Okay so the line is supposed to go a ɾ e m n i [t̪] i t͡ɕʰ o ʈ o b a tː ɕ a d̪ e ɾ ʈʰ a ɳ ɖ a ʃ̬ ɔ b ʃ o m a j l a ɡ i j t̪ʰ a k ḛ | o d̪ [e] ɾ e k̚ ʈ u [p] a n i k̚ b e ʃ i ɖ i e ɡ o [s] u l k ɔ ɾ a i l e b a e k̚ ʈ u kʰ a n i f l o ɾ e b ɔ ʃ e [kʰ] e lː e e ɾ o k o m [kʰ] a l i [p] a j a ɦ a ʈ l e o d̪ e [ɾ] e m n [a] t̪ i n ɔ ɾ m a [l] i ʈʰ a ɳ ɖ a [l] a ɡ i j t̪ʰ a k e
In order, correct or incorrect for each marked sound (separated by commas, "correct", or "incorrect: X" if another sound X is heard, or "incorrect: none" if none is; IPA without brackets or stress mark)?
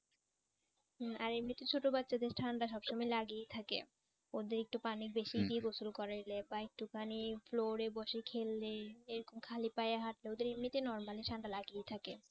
correct, correct, correct, correct, correct, correct, correct, correct, incorrect: i, correct, correct